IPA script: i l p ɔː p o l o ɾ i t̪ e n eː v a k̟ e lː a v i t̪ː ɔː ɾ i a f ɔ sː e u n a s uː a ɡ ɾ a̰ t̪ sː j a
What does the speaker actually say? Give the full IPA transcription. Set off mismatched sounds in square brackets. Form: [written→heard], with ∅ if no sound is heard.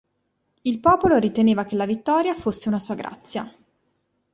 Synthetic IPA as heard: i l p ɔː p o l o ɾ i t̪ e n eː v a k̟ e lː a v i t̪ː ɔː ɾ [i→j] a f [ɔ→o] sː e u n a s uː a ɡ ɾ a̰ t̪ sː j a